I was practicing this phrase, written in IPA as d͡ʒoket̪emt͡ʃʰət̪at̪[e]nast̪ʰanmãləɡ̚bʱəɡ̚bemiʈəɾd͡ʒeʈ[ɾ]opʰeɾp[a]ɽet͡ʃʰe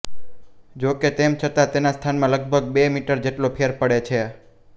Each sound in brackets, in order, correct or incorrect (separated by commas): correct, incorrect, incorrect